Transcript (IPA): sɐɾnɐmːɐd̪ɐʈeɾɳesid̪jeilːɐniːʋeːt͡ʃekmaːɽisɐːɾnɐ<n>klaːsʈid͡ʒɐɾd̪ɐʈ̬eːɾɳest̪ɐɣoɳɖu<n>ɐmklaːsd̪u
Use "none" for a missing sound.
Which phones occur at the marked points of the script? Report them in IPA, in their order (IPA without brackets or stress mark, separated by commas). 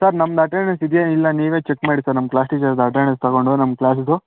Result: m, n